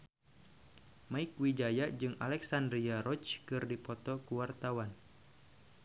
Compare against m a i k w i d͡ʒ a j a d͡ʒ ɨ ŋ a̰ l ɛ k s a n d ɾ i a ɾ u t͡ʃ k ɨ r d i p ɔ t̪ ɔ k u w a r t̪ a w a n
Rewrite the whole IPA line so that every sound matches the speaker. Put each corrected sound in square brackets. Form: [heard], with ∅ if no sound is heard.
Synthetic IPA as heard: m a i k w i d͡ʒ a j a d͡ʒ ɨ ŋ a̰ l ɛ k s a n d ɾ i a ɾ [ɔ] t͡ʃ k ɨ r d i p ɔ t̪ ɔ k u w a r t̪ a w a n